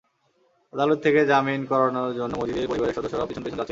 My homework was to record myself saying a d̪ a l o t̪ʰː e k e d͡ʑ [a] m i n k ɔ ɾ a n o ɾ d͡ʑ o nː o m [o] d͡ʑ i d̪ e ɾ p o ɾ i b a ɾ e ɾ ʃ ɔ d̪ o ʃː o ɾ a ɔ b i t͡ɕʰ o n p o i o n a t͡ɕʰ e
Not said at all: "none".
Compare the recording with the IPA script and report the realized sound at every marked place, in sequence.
a, o

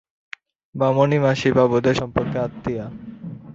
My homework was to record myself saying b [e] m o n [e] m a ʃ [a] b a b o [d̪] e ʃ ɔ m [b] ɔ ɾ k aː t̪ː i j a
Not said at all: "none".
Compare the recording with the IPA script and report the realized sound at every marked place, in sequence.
a, i, i, d̪, p

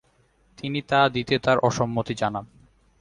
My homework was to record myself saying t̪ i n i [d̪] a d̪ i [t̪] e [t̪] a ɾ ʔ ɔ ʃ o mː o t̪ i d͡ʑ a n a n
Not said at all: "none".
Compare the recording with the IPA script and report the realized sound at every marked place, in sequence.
t̪, t̪, t̪

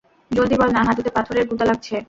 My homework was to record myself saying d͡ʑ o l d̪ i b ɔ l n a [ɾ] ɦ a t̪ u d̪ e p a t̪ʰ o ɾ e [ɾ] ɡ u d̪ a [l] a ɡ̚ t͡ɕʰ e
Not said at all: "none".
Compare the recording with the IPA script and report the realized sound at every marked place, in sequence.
none, ɾ, l

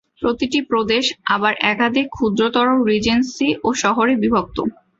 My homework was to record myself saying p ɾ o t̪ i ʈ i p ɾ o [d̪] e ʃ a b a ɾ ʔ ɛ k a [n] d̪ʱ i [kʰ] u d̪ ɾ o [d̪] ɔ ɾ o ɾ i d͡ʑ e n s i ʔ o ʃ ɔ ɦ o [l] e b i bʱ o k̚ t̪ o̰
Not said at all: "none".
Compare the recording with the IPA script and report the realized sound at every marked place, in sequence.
d̪, none, kʰ, t̪, ɾ

